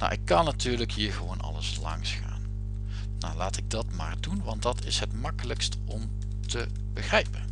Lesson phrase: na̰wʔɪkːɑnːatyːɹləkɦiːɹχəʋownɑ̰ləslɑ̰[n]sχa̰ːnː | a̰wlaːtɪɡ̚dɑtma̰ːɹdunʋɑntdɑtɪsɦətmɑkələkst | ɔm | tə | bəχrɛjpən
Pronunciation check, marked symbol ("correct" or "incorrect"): incorrect